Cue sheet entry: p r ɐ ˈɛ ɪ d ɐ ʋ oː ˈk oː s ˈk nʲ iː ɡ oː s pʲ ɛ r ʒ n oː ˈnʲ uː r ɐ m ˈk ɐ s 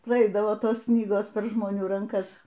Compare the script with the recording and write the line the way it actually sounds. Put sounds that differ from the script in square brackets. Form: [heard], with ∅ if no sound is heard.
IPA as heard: p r ɐ ˈɛ ɪ d ɐ ʋ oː [ˈt] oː s ˈk nʲ iː ɡ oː s pʲ ɛ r ʒ [m] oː ˈnʲ uː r ɐ [ŋ] ˈk ɐ s